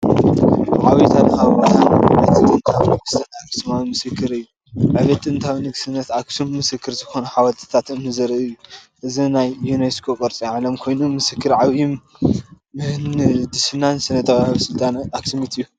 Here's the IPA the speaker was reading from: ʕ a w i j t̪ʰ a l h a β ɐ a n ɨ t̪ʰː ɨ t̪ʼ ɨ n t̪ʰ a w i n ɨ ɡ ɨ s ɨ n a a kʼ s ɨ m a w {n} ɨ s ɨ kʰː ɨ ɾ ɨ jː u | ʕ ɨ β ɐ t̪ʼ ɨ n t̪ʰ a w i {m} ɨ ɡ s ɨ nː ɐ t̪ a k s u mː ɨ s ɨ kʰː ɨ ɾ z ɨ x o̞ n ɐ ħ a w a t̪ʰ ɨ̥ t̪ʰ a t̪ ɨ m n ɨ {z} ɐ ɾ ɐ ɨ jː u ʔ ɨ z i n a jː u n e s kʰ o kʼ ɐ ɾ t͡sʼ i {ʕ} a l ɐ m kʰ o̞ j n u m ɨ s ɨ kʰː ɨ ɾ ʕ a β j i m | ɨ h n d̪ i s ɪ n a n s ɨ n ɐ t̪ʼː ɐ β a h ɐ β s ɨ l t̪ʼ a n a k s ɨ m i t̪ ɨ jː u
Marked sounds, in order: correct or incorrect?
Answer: incorrect, incorrect, correct, correct

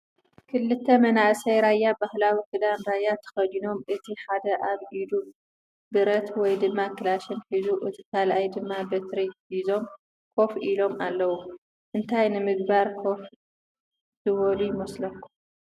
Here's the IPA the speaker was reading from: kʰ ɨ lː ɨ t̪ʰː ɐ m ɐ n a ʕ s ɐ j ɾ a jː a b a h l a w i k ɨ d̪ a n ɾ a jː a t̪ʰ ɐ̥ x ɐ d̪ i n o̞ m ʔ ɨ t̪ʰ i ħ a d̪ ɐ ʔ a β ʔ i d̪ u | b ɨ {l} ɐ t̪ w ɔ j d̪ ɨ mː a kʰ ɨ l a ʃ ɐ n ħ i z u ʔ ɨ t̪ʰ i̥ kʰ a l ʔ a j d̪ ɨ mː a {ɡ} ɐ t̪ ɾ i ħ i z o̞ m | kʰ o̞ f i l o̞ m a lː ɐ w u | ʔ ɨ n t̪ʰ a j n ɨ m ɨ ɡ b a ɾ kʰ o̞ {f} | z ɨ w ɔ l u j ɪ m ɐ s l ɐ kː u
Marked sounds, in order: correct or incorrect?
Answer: incorrect, incorrect, correct

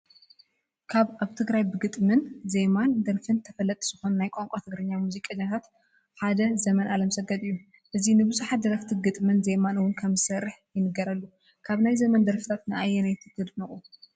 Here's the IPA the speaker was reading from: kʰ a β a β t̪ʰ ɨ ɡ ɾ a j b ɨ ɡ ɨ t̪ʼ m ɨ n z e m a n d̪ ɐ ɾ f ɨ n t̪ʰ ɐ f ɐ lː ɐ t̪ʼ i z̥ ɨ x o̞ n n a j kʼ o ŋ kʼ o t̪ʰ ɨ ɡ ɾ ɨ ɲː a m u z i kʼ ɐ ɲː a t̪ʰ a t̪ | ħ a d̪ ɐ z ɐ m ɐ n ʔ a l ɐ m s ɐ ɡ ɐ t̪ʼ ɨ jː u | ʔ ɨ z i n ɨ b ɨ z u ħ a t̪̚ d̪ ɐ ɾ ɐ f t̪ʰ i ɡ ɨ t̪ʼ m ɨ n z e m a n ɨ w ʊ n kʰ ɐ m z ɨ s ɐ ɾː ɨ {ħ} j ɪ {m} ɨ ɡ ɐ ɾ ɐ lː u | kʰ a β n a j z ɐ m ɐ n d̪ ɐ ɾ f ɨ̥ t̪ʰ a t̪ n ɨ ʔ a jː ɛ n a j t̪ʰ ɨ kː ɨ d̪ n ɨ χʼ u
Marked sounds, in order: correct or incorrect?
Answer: correct, incorrect

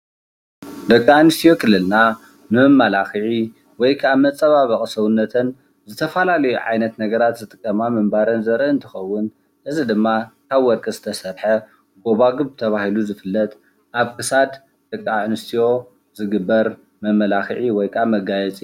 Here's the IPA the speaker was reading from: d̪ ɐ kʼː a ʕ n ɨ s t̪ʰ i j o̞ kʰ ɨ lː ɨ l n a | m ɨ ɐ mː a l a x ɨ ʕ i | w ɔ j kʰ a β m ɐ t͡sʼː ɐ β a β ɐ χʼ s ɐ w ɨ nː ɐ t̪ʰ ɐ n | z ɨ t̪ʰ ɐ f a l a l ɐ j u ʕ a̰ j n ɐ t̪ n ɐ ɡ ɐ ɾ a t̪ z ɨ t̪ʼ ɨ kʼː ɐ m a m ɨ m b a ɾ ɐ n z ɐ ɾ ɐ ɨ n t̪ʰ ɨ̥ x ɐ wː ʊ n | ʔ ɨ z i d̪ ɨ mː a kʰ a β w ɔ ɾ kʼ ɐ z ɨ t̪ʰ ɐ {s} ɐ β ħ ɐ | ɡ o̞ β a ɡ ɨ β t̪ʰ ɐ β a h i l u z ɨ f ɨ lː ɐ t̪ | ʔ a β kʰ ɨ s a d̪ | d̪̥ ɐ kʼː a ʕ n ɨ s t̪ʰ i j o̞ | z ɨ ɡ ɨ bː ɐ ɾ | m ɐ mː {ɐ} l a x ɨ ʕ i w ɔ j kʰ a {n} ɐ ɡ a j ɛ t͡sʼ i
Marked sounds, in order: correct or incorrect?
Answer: correct, correct, incorrect

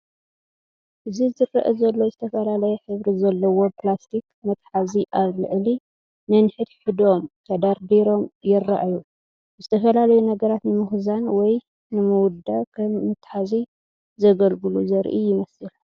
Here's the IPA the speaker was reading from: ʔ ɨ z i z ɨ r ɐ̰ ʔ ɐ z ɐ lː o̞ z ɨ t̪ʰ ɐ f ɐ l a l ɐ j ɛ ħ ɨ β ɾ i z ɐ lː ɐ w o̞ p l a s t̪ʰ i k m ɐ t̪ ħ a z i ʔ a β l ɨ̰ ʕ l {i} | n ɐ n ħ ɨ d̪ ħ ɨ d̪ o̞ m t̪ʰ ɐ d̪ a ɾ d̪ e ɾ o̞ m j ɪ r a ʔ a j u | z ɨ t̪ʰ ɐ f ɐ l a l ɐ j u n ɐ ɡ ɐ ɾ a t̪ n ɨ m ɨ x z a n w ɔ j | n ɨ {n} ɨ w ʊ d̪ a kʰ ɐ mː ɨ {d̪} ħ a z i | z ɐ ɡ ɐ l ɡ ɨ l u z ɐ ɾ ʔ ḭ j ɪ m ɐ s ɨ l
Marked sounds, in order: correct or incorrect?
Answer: correct, incorrect, incorrect

